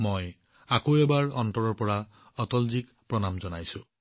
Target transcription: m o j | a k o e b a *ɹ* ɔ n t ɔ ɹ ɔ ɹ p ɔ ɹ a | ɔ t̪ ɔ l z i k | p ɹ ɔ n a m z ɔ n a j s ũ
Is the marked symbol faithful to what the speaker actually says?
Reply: yes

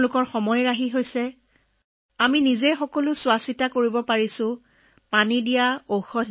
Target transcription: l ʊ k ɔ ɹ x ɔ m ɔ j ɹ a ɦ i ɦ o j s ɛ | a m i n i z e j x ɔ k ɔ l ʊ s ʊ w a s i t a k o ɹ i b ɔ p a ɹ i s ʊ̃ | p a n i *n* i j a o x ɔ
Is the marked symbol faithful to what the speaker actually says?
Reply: no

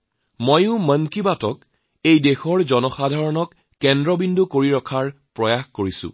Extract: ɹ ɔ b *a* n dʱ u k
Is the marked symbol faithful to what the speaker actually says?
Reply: no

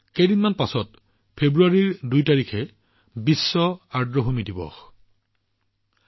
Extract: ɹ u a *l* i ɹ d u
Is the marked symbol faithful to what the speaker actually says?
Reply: no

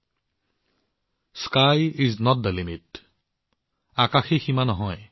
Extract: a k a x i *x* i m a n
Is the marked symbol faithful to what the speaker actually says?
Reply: yes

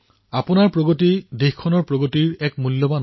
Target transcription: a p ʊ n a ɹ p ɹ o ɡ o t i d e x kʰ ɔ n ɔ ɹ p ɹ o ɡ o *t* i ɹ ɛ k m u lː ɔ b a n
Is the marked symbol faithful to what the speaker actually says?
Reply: yes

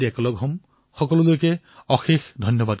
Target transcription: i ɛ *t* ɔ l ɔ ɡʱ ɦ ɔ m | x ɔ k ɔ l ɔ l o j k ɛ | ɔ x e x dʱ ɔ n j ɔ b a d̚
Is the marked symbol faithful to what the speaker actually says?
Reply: no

